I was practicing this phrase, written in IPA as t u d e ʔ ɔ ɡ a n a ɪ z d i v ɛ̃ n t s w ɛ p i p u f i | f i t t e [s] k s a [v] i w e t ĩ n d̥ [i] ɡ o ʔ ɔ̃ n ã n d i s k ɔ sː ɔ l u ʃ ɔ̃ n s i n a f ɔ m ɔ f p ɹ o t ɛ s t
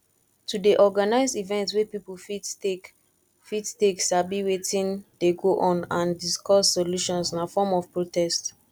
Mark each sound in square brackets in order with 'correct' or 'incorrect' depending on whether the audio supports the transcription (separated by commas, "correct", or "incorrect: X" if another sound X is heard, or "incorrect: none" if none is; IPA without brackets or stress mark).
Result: incorrect: none, incorrect: b, incorrect: e